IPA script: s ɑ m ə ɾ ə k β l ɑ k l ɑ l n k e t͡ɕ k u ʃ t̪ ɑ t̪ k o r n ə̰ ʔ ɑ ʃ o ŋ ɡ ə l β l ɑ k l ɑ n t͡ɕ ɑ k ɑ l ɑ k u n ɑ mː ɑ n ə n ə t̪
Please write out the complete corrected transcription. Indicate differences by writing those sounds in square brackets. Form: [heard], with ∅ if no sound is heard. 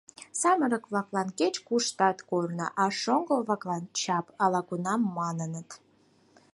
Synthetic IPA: s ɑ m ə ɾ ə k β l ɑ k l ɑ [∅] n k e t͡ɕ k u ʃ t̪ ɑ t̪ k o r n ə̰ ʔ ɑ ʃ o ŋ ɡ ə l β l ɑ k l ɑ n t͡ɕ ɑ [p] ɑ l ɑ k u n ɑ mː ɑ n ə n ə t̪